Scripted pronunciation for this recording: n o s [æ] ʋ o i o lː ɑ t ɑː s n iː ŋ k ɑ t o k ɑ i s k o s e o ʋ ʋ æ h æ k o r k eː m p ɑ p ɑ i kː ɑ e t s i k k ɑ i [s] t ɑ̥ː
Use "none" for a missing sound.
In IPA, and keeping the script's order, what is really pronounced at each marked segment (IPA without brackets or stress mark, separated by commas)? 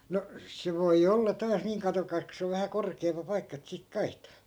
e, h